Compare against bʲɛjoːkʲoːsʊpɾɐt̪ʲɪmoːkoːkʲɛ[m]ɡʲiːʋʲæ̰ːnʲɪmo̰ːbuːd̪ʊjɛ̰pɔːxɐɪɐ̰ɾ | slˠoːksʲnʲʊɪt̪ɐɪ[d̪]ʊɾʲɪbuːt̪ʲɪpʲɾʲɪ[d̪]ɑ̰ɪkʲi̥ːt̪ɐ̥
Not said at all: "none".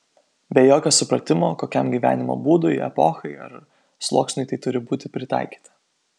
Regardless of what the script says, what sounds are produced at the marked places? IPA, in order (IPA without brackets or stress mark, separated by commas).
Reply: m, t̪, t̪